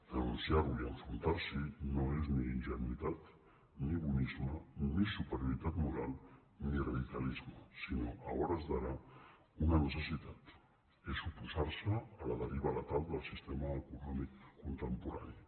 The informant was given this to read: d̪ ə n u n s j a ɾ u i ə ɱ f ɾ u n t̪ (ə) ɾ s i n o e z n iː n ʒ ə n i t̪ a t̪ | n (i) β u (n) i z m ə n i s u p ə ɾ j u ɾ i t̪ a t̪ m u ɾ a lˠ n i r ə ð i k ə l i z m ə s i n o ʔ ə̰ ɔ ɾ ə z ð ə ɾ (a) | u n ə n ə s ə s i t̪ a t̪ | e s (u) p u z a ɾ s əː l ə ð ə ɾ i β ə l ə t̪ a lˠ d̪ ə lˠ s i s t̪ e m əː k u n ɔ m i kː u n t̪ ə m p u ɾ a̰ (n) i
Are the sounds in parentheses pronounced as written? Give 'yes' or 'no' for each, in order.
no, yes, yes, yes, yes, yes

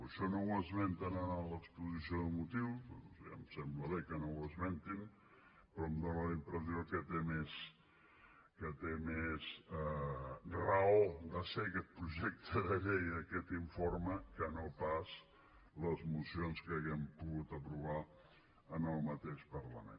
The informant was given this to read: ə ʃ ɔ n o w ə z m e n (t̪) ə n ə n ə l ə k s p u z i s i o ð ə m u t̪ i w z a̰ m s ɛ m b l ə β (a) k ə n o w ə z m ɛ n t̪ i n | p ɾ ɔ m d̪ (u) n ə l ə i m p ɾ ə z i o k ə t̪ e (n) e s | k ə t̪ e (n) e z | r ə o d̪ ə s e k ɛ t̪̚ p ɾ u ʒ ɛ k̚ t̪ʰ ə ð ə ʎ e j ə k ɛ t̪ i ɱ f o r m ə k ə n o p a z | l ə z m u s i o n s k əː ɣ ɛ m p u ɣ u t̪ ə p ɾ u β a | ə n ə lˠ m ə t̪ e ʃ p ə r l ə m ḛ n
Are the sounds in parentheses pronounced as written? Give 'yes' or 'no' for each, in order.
yes, no, no, no, no

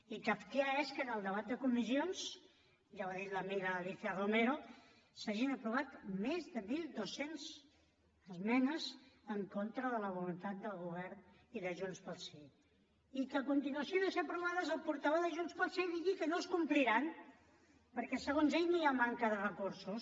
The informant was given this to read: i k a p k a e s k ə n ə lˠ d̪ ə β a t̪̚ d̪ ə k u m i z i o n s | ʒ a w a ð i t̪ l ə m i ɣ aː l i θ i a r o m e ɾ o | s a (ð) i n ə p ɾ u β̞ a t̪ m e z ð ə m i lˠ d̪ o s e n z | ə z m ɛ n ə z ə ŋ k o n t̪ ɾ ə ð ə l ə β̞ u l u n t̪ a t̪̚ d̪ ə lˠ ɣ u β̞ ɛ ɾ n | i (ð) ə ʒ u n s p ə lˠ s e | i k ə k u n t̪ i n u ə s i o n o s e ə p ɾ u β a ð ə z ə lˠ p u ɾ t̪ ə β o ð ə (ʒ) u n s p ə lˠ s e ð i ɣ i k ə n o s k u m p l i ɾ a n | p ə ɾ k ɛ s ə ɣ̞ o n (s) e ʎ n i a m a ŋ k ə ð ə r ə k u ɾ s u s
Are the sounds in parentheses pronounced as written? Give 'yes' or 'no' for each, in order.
no, yes, yes, no

